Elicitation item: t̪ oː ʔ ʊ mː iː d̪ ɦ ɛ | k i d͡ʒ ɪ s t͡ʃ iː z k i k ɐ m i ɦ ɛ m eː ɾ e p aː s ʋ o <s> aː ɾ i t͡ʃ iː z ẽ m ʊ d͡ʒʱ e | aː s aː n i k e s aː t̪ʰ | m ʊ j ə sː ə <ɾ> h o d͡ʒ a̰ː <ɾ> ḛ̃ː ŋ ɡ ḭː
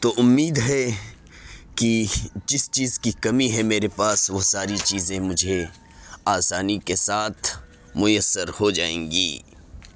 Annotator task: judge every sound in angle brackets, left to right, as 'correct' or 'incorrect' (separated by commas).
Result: correct, correct, incorrect